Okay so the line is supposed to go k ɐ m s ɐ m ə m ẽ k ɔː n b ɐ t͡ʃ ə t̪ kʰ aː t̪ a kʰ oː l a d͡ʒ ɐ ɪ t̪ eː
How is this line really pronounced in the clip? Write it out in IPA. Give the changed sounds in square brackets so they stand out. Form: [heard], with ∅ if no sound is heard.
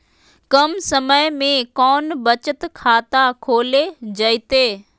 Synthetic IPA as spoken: k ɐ m s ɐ m ə m ẽ k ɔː n b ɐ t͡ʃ ə t̪ kʰ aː t̪ a kʰ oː l [e] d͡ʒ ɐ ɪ t̪ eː